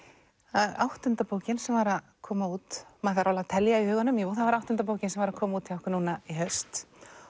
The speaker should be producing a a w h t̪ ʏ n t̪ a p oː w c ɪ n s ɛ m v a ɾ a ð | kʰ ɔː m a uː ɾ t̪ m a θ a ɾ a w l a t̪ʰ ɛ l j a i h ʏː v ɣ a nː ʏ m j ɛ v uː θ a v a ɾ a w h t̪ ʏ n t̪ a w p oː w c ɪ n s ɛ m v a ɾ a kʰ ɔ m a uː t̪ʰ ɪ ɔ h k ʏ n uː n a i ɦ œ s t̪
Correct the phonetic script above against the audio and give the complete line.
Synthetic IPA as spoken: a a w h t̪ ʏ n t̪ a p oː w c ɪ n s ɛ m v a ɾ a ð | kʰ ɔː m a uː t̪ m a θ a ɾ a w l a t̪ʰ ɛ l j a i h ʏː ɣ a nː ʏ m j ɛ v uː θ a v a ɾ a w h t̪ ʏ n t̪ a p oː w c ɪ n s ɛ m v a ɾ a kʰ ɔː m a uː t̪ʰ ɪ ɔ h k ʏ n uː n a i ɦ œ s t̪